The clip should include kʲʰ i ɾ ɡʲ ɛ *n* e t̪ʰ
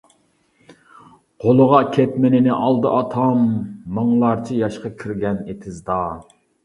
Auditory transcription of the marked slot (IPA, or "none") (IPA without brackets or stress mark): n